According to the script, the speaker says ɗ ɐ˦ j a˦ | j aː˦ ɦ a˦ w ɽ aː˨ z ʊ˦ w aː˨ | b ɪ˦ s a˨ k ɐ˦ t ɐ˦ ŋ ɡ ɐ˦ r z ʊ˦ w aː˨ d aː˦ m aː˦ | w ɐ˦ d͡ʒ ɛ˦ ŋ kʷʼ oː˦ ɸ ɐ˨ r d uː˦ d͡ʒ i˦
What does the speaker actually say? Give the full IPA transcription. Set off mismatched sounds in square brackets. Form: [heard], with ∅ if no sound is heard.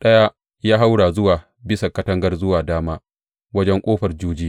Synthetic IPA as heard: ɗ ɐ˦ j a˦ | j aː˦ ɦ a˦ w ɽ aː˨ z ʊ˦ w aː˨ | b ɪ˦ s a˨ k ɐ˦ t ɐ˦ ŋ ɡ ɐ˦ r z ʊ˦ w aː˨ d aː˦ m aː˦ | w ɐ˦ d͡ʒ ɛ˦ ŋ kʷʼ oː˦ ɸ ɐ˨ r [d͡ʒ] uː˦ d͡ʒ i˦

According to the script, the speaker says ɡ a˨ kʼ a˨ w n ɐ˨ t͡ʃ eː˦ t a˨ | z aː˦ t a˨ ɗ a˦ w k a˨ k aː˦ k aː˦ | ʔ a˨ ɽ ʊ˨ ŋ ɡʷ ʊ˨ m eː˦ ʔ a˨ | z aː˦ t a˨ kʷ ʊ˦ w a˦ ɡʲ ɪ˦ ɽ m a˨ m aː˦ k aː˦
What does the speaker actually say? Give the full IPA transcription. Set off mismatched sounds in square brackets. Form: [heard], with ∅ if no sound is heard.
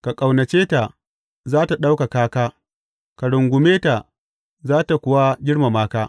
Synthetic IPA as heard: [k] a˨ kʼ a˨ w n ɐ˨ t͡ʃ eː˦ t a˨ | z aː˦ t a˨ ɗ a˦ w k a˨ k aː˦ k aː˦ | [k] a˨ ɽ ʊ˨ ŋ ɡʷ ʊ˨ m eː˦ [t] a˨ | z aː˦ t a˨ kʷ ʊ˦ w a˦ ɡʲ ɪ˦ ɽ m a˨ m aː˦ k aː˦

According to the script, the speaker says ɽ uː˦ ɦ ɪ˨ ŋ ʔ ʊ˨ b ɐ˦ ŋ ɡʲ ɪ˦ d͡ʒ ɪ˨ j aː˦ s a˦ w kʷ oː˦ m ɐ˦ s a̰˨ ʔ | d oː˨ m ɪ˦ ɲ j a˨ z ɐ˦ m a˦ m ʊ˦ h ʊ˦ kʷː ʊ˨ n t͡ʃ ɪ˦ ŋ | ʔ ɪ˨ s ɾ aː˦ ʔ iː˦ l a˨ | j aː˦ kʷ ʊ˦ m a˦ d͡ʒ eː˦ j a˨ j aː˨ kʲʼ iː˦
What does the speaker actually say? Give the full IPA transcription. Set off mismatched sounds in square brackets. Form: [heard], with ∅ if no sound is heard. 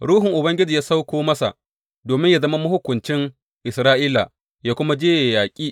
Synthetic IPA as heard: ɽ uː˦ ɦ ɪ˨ ŋ ʔ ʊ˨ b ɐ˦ ŋ ɡʲ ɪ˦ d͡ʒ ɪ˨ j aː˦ s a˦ w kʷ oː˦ m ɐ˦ s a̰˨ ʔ | d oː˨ m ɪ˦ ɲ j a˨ z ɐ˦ m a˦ m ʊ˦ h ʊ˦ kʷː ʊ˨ n t͡ʃ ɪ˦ ŋ | ʔ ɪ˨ s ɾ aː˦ ʔ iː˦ l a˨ | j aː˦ kʷ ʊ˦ m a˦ d͡ʒ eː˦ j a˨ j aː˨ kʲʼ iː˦

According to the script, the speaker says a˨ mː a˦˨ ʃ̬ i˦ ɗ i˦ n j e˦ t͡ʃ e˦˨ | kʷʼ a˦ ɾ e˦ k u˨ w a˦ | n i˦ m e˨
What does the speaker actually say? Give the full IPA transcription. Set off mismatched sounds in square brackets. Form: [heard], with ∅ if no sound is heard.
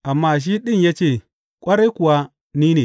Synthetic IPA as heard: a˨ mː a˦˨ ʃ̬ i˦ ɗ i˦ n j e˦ t͡ʃ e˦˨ | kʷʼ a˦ ɾ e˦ k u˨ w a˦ | n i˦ [n] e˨

